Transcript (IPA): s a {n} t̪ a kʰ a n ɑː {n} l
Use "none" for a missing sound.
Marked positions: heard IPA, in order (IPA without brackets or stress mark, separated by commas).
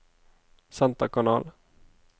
n, none